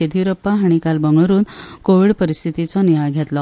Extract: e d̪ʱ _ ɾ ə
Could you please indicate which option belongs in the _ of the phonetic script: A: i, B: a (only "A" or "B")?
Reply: A